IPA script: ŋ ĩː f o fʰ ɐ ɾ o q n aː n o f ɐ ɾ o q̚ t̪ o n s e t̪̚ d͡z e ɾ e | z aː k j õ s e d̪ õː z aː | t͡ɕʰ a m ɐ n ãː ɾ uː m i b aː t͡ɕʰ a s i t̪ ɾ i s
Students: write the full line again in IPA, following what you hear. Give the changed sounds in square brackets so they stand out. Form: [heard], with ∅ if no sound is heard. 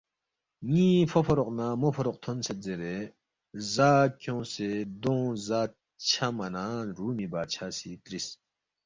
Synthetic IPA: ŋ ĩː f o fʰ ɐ ɾ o q n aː [m] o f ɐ ɾ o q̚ [t̪ʰ] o n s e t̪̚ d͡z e ɾ e | z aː k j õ s e d̪ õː z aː | t͡ɕʰ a m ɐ n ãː ɾ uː m i b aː t͡ɕʰ a s i t̪ ɾ i s